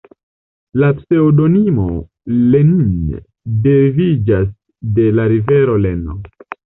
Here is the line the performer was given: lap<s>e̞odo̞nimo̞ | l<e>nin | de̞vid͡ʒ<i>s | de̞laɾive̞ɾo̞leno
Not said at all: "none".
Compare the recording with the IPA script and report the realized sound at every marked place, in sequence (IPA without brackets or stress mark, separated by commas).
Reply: s, e, a